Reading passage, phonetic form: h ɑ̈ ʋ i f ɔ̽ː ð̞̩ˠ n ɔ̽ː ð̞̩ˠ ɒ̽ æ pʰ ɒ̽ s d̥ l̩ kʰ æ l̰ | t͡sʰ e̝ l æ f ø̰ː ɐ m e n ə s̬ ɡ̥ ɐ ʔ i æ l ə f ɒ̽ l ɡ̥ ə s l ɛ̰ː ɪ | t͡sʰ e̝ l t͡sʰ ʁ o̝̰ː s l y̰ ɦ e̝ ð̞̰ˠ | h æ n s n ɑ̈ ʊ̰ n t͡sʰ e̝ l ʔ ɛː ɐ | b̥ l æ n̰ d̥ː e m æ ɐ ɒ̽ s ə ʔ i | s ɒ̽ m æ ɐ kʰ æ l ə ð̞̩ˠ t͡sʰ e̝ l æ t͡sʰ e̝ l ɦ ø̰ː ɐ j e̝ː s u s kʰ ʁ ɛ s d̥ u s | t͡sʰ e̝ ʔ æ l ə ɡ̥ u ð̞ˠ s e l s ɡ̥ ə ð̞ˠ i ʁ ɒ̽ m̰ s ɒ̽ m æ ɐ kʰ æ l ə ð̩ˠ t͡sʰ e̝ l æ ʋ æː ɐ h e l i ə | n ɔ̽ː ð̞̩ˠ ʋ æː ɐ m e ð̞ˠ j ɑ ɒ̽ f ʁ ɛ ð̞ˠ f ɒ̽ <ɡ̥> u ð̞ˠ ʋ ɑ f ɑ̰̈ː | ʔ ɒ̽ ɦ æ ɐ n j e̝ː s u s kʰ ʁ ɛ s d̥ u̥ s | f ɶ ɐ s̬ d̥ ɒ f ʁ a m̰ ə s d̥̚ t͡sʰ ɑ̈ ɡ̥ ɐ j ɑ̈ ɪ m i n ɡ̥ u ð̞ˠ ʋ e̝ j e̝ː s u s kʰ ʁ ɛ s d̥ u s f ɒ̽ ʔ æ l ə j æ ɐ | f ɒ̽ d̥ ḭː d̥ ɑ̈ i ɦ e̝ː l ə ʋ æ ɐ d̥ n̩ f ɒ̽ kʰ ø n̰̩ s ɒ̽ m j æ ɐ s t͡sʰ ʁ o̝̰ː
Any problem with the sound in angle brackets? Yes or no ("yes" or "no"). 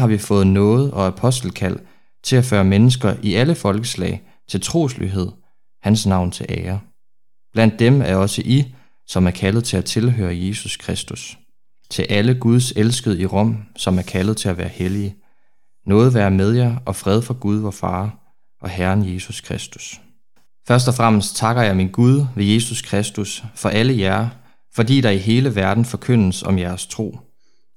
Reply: no